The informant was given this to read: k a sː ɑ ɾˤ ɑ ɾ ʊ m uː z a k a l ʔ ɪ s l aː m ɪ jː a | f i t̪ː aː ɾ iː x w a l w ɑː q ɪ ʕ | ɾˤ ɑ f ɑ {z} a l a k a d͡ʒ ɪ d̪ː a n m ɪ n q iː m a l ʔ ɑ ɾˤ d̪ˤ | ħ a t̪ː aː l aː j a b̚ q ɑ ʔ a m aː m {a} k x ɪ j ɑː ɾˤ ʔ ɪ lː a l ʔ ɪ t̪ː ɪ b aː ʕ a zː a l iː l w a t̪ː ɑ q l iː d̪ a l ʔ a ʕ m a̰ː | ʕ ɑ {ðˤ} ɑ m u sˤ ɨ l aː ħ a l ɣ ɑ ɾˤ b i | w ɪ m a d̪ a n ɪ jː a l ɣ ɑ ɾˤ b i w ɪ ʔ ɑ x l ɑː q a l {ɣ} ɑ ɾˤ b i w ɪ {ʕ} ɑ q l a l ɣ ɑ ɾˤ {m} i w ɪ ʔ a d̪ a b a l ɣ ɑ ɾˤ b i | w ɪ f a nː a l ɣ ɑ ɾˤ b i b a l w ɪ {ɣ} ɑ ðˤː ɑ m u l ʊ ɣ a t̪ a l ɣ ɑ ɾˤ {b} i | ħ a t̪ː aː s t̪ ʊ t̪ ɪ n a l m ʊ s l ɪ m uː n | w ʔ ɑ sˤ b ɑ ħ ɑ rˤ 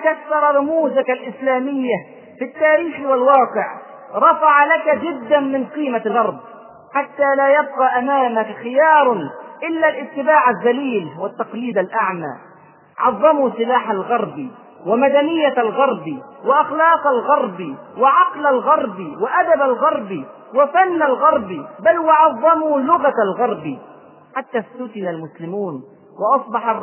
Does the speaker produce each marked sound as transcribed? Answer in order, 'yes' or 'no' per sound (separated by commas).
no, yes, no, yes, yes, no, no, yes